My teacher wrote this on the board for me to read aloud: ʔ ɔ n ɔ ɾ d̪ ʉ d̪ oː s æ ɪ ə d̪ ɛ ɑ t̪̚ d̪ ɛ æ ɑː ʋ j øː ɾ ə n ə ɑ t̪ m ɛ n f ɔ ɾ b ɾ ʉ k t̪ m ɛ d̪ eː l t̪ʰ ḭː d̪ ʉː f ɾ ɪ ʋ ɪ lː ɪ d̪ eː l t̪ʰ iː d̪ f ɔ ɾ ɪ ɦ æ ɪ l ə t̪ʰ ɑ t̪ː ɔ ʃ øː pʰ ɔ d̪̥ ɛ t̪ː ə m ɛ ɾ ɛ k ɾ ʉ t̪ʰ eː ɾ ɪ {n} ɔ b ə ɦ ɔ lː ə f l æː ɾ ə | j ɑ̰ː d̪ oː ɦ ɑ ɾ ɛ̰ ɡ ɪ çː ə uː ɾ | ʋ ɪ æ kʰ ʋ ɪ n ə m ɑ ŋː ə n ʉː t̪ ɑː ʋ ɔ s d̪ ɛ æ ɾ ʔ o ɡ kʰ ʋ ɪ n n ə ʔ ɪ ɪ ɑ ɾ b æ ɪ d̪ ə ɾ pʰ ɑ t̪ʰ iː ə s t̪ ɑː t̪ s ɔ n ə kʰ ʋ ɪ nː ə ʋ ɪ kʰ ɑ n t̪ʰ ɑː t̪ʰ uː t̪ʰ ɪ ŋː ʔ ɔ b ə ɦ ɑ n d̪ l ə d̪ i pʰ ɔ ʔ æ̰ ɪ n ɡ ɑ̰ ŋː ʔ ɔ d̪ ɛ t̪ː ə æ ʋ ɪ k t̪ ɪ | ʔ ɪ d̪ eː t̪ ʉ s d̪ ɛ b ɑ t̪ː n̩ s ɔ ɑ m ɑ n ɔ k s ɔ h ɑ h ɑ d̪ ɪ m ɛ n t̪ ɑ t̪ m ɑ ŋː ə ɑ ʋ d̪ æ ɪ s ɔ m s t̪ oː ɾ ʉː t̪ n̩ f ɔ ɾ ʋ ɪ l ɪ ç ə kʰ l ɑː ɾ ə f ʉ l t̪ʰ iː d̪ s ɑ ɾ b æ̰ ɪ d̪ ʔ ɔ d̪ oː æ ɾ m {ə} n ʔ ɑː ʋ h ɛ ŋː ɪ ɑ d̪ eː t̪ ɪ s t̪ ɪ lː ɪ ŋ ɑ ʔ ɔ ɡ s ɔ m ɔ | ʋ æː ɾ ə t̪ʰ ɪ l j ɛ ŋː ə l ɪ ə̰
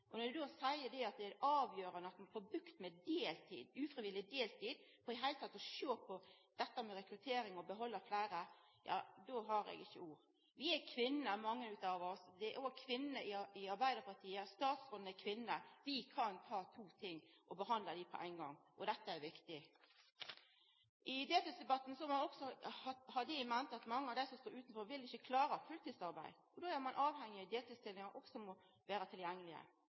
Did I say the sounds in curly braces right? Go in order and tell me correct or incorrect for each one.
incorrect: ŋ, incorrect: ɑ

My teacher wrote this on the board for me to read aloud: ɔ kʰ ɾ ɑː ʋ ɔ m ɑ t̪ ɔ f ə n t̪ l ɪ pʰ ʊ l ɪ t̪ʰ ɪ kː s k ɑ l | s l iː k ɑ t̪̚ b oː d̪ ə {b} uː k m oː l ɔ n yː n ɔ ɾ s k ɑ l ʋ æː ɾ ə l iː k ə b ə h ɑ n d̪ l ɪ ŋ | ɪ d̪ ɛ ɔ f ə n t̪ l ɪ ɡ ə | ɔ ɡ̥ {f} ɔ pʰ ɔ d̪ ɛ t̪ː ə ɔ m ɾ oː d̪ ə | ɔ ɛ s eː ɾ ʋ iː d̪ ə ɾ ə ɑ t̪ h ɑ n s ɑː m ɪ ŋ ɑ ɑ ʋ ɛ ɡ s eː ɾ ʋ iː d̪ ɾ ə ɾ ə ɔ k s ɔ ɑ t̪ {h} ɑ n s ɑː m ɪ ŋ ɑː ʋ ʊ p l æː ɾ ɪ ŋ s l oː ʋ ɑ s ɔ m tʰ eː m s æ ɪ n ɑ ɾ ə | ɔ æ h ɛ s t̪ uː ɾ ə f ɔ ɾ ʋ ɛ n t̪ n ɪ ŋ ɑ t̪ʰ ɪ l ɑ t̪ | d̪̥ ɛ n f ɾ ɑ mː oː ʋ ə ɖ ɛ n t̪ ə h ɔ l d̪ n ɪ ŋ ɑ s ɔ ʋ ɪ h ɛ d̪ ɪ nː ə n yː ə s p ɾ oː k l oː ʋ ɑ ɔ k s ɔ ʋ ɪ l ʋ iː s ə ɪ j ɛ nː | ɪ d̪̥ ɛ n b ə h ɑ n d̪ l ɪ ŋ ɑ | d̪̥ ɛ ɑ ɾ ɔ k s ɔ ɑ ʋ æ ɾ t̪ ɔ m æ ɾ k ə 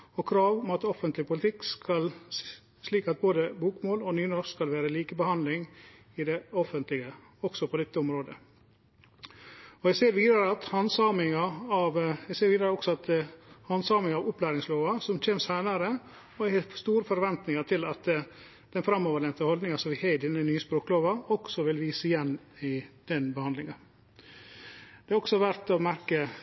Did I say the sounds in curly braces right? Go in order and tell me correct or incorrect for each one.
correct, incorrect: s, correct

